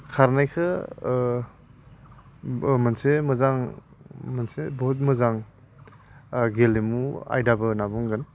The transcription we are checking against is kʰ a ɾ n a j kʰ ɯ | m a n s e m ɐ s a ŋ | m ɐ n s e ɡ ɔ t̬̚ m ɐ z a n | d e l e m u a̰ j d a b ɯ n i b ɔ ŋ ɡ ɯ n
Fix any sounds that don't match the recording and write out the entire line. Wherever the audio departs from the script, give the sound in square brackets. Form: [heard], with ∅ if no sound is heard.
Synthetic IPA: kʰ a ɾ n a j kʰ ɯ | m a n s e m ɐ [z] a ŋ | m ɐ n s e [b] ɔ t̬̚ m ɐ z a [ŋ] | [ɡ] e l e m u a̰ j d a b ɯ n [a] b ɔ ŋ ɡ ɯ n

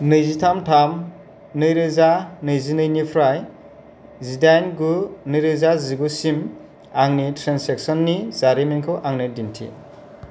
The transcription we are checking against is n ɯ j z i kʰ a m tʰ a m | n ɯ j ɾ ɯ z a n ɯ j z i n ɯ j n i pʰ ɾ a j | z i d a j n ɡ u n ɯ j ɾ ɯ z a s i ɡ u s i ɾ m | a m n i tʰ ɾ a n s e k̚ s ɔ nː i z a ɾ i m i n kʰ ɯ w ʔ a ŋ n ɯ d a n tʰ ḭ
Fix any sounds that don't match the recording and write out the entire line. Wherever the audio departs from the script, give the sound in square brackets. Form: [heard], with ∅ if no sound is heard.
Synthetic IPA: n ɯ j z i [tʰ] a m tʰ a m | n ɯ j ɾ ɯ z a n ɯ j z i n ɯ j n i pʰ ɾ a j | z i d a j n ɡ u n ɯ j ɾ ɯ z a [z] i ɡ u s i [∅] m | a [ŋ] n i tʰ ɾ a n s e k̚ s ɔ nː i z a ɾ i m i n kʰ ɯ w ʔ a ŋ n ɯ d [i] n tʰ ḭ

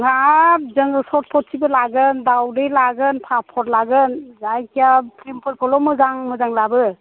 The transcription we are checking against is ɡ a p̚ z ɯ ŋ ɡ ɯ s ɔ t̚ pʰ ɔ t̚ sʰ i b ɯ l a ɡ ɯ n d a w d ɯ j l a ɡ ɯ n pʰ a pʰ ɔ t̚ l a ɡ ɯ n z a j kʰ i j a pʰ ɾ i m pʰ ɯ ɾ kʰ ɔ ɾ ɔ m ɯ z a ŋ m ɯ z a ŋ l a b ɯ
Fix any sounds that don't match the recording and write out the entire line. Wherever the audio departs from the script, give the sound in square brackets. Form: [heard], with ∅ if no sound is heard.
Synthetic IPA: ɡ a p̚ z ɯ ŋ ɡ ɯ s ɔ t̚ pʰ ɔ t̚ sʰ i b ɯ l a ɡ ɯ n d a w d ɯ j l a ɡ ɯ n pʰ a pʰ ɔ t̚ l a ɡ ɯ n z a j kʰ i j a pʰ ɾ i m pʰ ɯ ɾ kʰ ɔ [l] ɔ m ɯ z a ŋ m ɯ z a ŋ l a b ɯ

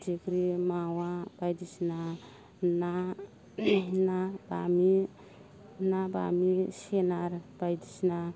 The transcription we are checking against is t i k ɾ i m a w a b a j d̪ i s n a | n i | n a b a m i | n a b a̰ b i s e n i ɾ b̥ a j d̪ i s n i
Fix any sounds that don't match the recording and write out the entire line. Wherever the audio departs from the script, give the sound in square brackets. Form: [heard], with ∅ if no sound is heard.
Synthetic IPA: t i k ɾ i m a w a b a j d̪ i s n a | n [a] | n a b a m i | n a b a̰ [m] i s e n [a] ɾ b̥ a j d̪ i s n [a]

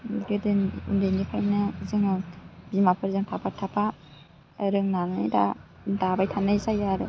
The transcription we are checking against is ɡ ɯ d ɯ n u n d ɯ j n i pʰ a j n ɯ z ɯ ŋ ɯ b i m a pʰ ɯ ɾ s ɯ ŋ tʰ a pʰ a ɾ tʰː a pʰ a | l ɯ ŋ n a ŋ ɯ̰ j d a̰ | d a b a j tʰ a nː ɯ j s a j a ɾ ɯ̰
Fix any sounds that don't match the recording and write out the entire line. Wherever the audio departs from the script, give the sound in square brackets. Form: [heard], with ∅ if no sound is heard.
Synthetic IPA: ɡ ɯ d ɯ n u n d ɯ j n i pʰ a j n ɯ z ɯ ŋ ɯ b i m a pʰ ɯ ɾ [z] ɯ ŋ tʰ a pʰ a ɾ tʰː a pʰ a | [ɾ] ɯ ŋ n a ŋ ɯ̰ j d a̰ | d a b a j tʰ a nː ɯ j s a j a ɾ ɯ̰

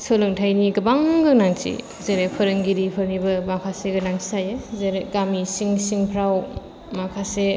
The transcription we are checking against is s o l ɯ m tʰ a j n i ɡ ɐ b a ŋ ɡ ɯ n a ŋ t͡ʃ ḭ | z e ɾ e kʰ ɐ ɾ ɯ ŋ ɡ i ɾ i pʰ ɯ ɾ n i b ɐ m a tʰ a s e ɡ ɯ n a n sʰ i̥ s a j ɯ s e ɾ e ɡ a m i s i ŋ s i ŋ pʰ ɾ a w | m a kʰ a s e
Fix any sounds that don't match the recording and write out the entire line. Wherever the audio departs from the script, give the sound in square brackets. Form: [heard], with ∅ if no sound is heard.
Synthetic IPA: s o l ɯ [ŋ] tʰ a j n i ɡ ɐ b a ŋ ɡ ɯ n a ŋ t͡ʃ ḭ | z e ɾ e [pʰ] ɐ ɾ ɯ ŋ ɡ i ɾ i pʰ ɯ ɾ n i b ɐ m a [kʰ] a s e ɡ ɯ n a [ŋ] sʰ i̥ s a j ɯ [z] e ɾ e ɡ a m i s i ŋ s i ŋ pʰ ɾ a w | m a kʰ a s e

